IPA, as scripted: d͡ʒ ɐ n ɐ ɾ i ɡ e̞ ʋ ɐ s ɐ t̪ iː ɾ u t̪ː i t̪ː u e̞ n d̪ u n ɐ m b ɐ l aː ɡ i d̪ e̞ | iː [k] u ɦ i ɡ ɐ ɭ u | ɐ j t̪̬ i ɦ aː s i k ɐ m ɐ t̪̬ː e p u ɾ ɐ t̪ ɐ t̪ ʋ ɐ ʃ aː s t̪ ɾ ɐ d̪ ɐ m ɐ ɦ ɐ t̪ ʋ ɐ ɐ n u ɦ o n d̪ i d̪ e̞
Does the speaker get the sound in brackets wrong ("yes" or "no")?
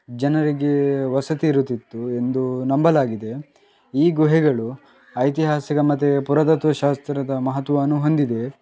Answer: yes